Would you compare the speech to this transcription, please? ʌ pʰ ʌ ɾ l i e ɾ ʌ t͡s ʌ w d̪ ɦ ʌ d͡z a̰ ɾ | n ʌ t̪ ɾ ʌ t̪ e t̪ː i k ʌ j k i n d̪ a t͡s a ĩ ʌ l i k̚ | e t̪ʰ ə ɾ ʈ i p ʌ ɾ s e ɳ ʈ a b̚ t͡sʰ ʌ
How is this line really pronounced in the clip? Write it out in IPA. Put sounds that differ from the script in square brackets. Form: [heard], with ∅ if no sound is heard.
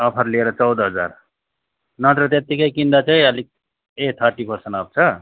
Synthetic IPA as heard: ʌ pʰ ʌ ɾ l i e ɾ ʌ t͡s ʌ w d̪ ɦ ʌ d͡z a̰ ɾ | n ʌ t̪ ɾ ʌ t̪ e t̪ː i k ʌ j k i n d̪ a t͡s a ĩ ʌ l i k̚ | e t̪ʰ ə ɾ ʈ i p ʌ ɾ s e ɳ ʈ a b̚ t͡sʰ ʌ